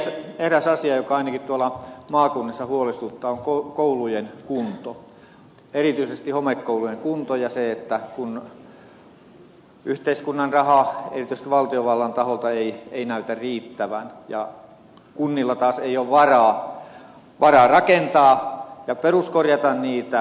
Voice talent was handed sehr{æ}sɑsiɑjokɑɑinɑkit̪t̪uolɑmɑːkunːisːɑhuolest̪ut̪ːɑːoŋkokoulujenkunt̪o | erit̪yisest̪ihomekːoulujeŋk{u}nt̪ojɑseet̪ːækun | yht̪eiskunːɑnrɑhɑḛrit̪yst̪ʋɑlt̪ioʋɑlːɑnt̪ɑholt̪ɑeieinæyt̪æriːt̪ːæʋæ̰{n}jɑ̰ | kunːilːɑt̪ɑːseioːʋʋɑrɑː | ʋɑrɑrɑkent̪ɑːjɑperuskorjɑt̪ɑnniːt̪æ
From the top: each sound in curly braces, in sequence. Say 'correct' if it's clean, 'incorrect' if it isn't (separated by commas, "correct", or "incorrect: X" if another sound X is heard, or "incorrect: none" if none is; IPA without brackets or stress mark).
correct, correct, correct